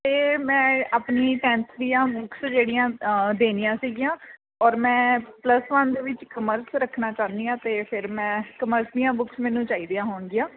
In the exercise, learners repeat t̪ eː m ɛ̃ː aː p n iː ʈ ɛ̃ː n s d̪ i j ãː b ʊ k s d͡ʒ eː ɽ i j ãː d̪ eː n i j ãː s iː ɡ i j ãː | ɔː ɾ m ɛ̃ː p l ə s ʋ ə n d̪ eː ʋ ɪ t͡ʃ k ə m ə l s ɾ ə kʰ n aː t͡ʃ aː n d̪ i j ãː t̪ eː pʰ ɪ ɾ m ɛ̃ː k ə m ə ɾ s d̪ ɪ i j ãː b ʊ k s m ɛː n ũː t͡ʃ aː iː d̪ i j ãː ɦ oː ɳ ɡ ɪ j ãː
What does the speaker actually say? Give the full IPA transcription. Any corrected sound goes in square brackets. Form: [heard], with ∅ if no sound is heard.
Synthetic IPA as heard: t̪ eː m ɛ̃ː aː p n iː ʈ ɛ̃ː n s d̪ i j ãː b ʊ k s d͡ʒ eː ɽ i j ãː d̪ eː n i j ãː s iː ɡ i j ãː | ɔː ɾ m ɛ̃ː p l ə s ʋ ə n d̪ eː ʋ ɪ t͡ʃ k ə m ə [ɾ] s ɾ ə kʰ n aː t͡ʃ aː n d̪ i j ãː t̪ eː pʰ ɪ ɾ m ɛ̃ː k ə m ə ɾ s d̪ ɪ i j ãː b ʊ k s m ɛː n ũː t͡ʃ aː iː d̪ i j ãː ɦ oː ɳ ɡ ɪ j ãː